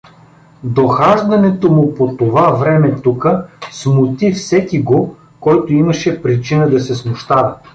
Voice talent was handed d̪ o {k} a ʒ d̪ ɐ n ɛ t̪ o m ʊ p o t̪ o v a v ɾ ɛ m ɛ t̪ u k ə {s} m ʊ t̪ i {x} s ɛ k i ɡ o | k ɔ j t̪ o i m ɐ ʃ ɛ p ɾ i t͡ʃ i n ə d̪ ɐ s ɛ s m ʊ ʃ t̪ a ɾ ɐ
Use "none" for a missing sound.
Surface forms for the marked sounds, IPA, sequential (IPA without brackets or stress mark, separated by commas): x, s, f